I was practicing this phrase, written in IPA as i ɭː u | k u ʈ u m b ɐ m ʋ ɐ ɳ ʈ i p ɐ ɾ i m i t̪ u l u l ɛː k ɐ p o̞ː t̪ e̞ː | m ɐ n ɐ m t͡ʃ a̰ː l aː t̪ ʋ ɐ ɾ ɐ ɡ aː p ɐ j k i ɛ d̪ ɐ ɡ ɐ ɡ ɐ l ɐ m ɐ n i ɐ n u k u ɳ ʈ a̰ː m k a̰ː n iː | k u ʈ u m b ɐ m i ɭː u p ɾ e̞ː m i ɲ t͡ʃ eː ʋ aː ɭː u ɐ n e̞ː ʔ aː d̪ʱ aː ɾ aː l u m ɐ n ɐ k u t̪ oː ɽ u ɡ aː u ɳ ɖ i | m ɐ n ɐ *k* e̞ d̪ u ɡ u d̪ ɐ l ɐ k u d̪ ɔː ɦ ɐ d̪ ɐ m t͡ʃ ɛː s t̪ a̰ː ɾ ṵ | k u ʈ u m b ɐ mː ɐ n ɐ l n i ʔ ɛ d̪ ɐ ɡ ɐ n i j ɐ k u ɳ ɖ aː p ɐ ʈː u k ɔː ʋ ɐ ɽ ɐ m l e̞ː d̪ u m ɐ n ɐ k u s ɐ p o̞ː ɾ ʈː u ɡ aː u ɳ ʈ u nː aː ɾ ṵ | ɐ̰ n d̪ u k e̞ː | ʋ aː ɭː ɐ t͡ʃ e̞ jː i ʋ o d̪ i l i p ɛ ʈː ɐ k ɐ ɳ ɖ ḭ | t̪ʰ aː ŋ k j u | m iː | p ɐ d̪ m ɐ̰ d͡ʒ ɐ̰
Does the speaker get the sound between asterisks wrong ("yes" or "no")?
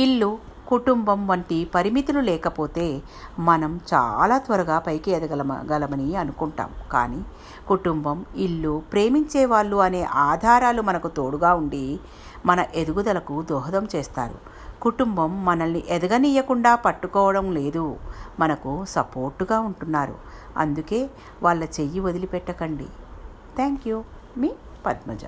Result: yes